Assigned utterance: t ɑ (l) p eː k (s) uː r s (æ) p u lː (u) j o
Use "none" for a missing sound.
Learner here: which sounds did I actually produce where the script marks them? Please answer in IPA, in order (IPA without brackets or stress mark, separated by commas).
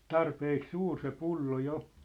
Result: r, s, e, o